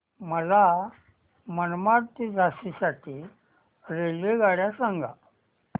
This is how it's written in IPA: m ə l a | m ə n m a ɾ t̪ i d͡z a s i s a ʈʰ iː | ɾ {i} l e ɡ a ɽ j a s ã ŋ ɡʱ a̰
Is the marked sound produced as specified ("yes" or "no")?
no